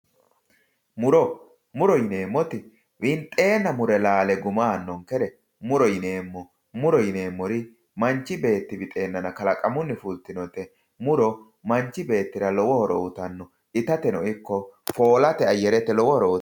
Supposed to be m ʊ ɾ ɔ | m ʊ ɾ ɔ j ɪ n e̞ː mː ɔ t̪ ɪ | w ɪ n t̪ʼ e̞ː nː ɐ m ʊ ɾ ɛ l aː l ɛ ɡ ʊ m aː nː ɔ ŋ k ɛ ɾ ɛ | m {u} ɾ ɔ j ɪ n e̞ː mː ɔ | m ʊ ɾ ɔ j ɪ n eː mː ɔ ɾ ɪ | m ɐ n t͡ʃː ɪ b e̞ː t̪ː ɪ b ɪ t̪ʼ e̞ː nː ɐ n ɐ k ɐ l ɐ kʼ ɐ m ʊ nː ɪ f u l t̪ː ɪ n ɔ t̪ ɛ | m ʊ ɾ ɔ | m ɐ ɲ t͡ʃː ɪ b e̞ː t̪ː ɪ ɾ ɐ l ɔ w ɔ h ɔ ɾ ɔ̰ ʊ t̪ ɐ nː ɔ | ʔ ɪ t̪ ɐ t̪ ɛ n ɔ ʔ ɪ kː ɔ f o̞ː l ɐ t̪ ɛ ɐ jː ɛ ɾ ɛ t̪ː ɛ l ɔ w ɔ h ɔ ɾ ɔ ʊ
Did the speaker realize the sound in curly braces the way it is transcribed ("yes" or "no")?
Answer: no